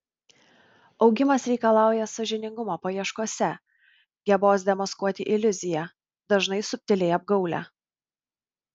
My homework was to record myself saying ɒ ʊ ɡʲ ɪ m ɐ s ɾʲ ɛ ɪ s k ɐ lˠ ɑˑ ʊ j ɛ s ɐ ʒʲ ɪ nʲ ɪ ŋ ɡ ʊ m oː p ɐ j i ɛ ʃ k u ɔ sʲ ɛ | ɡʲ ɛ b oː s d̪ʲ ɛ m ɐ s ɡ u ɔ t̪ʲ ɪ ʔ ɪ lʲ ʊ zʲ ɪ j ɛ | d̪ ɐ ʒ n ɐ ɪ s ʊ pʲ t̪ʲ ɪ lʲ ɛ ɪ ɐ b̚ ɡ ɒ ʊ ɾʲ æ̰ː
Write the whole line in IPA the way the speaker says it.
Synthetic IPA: ɒ ʊ ɡʲ ɪ m ɐ s ɾʲ ɛ ɪ k ɐ lˠ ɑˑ ʊ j ɛ s ɐ ʒʲ ɪ nʲ ɪ ŋ ɡ ʊ m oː p ɐ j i ɛ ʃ k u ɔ sʲ ɛ | ɡʲ ɛ b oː s d̪ʲ ɛ m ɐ s k u ɔ t̪ʲ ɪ ʔ ɪ lʲ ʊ zʲ ɪ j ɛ | d̪ ɐ ʒ n ɐ ɪ s ʊ pʲ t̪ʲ ɪ lʲ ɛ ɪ ɐ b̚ ɡ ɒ ʊ lʲ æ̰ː